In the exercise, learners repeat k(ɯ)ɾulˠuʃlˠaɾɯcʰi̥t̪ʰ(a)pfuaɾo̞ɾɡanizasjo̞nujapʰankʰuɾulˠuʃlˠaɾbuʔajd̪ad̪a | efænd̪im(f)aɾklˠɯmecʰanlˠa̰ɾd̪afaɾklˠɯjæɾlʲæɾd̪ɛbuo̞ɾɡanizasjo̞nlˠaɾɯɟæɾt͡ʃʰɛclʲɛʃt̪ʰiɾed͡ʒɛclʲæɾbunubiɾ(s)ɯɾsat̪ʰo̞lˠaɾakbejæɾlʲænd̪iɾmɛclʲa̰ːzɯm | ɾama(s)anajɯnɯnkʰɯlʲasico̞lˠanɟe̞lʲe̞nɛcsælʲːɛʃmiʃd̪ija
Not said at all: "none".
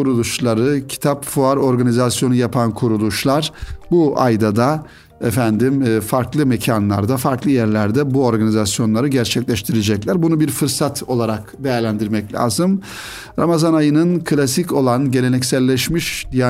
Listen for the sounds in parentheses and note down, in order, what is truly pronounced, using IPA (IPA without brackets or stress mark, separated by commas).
u, a, f, f, z